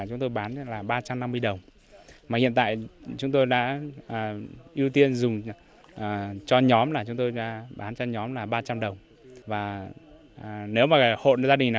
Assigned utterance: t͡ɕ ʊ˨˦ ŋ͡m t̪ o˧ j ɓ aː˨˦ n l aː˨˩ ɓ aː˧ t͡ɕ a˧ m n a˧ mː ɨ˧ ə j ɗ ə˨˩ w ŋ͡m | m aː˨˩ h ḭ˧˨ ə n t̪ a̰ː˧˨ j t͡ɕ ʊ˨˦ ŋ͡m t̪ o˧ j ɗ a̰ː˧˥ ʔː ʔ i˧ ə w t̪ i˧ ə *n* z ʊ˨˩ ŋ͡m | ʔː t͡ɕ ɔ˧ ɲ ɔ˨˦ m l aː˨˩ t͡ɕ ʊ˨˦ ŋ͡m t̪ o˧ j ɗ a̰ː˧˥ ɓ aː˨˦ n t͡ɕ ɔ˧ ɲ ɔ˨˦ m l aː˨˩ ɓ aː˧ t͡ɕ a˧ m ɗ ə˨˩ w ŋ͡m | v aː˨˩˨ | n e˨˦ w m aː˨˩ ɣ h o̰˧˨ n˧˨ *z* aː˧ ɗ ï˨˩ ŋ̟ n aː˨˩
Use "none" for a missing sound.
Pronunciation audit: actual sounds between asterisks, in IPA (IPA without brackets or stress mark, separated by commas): n, z